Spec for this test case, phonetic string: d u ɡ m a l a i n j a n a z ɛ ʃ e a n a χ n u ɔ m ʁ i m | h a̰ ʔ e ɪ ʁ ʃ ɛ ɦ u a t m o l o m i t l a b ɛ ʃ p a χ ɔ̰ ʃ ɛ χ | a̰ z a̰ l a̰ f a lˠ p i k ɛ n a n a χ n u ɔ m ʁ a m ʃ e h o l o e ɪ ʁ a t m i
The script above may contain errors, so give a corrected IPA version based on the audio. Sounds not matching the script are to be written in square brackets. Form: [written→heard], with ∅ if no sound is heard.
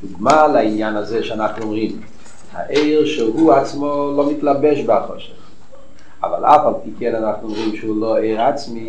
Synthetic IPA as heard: d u ɡ m a l a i n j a n a z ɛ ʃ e a n a χ n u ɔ m ʁ i m | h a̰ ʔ e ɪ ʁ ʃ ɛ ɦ u a [t→t͡s] m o l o m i t l a b ɛ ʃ [p→b] a χ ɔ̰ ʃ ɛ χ | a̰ [z→v] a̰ l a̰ f a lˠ p i k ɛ n a n a χ n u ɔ m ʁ [a→i] m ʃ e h [o→u] l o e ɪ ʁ a [t→t͡s] m i